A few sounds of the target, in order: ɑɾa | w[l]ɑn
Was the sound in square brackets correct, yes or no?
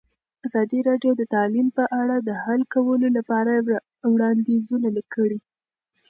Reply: no